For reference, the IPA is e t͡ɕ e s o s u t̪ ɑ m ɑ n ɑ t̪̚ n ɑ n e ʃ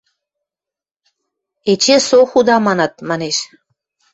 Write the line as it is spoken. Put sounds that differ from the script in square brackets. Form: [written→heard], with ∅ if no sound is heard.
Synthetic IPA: e t͡ɕ e s o [s→x] u [t̪→d̪] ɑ m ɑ n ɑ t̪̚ [n→m] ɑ n e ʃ